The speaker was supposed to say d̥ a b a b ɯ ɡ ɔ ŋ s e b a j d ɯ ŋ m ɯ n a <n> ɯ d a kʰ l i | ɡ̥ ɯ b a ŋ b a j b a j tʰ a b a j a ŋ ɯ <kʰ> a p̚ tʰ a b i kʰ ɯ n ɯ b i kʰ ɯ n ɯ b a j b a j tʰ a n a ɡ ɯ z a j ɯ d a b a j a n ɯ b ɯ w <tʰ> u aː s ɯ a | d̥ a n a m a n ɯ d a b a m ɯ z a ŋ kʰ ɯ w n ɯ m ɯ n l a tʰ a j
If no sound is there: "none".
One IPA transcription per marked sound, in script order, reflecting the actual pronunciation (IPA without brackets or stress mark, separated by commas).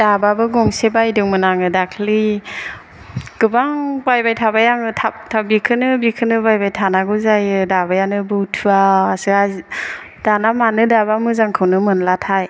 ŋ, tʰ, tʰ